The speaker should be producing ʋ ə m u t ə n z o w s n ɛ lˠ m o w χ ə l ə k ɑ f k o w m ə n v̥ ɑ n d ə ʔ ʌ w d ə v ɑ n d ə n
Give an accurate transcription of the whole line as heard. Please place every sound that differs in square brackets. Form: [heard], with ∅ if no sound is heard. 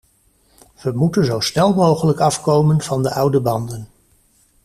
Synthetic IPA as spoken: ʋ ə m u t ə n z o w s n ɛ lˠ m o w χ ə l ə k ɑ f k o w m ə n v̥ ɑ n d ə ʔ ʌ w d ə [b] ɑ n d ə n